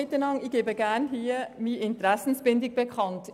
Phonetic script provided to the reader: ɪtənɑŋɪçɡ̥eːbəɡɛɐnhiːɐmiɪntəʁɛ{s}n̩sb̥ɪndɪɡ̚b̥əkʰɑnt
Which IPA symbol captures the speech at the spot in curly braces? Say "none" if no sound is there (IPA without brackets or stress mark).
s